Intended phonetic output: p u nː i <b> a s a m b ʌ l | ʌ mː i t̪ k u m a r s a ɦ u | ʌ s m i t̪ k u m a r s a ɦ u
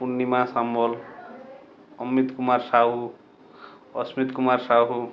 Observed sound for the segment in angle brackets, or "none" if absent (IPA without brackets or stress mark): m